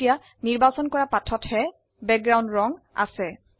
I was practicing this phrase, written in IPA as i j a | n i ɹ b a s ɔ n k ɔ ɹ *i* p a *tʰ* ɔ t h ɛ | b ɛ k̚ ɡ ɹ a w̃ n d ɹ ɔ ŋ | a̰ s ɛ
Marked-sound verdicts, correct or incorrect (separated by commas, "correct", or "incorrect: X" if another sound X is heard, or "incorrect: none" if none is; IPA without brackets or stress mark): incorrect: a, correct